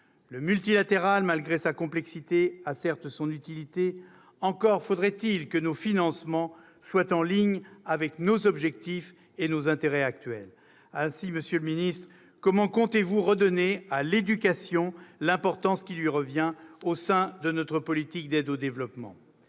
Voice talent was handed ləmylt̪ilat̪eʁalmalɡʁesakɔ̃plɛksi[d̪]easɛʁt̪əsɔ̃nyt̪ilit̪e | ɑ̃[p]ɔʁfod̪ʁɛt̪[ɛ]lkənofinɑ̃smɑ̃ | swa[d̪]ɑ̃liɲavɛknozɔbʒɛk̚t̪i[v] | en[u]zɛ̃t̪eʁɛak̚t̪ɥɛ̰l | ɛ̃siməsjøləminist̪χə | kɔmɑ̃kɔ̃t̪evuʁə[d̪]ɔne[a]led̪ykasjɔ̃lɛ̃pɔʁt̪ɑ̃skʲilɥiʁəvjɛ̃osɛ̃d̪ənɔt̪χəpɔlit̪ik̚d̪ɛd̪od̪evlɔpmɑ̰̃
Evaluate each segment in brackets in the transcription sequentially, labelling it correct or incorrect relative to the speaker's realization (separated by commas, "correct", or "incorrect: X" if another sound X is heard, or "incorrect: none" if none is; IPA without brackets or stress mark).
incorrect: t̪, incorrect: k, incorrect: i, incorrect: t̪, incorrect: f, incorrect: o, correct, correct